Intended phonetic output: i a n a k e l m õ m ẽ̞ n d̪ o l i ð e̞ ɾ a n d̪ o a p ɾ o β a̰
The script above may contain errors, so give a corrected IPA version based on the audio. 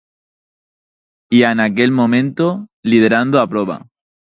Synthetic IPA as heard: i a n a k e l m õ m ẽ̞ n t̪ o l i ð e̞ ɾ a n d̪ o a p ɾ o β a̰